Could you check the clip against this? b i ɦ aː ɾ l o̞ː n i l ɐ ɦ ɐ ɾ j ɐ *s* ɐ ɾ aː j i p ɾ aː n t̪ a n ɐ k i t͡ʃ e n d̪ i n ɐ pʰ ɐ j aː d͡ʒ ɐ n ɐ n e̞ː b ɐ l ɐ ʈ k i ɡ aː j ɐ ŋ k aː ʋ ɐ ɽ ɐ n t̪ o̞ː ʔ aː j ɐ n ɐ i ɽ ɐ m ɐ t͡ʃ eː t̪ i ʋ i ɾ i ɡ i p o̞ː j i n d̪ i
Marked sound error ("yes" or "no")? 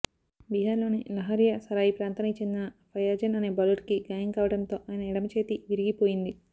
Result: no